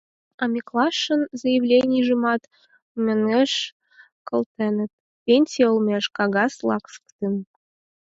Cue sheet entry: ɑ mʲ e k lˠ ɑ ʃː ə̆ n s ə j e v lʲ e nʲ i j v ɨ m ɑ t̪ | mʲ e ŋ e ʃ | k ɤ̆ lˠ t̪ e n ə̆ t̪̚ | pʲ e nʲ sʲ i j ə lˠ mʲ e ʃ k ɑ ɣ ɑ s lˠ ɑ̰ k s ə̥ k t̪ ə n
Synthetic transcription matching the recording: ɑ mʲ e k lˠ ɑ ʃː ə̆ n z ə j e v lʲ e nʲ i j ʒ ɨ m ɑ t̪ | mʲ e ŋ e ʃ | k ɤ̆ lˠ t̪ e n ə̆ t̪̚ | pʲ e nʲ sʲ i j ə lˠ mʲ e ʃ k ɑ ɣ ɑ s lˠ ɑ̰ k s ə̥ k t̪ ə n